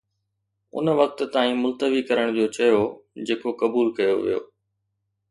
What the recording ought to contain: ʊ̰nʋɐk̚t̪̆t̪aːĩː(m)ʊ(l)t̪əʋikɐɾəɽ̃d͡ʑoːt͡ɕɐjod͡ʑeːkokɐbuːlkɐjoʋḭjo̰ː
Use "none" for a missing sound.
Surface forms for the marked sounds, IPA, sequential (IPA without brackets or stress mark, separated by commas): m, l